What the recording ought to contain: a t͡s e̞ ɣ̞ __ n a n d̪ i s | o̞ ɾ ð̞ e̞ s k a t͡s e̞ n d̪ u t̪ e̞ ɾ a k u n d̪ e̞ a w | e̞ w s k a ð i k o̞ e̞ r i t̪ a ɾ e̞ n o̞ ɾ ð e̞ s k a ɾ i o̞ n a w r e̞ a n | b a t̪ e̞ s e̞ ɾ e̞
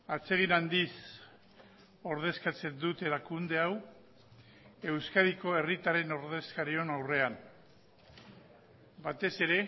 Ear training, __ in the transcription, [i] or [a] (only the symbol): i